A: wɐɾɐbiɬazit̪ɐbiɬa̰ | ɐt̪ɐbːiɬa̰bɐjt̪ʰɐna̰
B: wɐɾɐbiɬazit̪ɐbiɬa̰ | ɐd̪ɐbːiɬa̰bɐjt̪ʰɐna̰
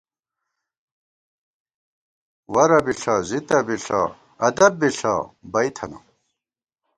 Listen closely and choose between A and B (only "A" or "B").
B